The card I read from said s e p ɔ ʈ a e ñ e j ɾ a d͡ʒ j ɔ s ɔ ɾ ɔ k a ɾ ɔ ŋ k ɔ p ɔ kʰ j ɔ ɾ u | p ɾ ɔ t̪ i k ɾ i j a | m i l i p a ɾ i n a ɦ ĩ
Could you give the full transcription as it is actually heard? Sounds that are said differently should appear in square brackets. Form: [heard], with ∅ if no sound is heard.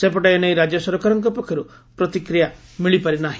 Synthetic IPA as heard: s e p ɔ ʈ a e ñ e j ɾ a d͡ʒ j ɔ s ɔ ɾ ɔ k a ɾ ɔ ŋ k ɔ p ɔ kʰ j ɔ ɾ u | p ɾ ɔ t̪ i k ɾ i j a | m i [ɭ] i p a ɾ i n a ɦ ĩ